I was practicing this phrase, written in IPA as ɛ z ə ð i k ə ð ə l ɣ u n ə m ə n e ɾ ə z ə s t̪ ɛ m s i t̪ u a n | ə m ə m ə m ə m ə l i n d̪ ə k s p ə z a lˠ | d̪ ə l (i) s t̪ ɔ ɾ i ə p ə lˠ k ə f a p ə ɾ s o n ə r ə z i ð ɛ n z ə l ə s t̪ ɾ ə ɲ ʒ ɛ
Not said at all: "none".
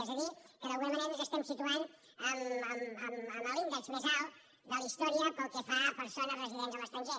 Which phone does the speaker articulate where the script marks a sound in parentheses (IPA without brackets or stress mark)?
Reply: i